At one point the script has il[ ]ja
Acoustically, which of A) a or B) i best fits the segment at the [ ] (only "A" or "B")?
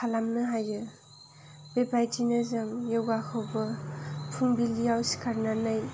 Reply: B